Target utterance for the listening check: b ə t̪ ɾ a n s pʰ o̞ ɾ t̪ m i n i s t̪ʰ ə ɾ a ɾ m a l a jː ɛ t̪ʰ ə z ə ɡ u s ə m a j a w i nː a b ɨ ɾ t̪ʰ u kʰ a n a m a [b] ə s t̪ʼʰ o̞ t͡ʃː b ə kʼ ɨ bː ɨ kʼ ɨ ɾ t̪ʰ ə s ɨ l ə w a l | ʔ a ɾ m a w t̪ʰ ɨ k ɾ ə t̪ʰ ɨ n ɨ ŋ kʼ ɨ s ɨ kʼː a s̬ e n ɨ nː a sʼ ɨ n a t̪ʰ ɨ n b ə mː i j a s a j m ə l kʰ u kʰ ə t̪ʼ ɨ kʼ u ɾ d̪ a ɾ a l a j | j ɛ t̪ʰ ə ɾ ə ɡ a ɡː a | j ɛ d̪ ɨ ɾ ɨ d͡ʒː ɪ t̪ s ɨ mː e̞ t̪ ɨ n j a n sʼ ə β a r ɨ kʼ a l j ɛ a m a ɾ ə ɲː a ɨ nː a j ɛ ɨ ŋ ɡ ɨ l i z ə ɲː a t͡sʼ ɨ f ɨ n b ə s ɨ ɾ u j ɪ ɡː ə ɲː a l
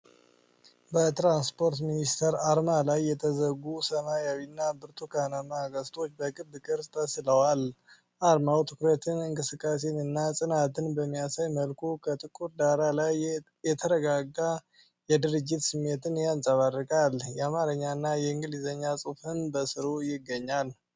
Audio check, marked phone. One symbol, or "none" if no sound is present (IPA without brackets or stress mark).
ɡ